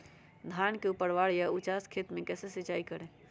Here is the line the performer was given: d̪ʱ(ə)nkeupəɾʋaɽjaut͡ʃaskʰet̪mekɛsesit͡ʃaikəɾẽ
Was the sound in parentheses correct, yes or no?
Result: no